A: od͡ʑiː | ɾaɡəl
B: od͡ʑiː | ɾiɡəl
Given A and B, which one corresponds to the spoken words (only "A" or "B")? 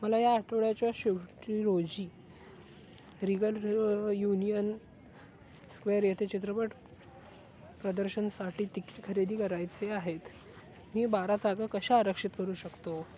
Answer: B